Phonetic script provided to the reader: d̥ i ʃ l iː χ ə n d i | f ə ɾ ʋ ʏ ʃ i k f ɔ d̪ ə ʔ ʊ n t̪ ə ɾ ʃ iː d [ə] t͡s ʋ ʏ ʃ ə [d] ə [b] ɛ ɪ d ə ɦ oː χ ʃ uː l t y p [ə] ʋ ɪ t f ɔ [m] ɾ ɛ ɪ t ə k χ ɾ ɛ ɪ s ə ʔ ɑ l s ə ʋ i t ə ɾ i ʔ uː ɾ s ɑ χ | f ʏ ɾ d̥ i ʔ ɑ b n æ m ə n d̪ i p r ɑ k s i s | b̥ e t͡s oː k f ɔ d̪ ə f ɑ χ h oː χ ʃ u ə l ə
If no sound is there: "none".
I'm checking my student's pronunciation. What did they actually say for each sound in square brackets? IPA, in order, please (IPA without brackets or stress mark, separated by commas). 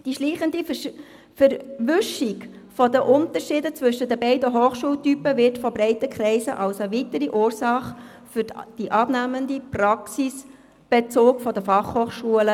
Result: ə, d, b, ə, b